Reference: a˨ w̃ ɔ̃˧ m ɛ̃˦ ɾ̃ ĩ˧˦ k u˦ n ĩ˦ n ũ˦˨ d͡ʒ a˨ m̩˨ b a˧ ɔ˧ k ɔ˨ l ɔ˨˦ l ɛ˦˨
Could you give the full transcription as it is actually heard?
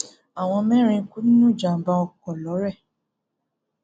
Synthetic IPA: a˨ w̃ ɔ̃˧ m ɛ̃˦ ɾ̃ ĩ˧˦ k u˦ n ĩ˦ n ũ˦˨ d͡ʒ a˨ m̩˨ b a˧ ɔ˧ k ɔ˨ l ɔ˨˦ ɾ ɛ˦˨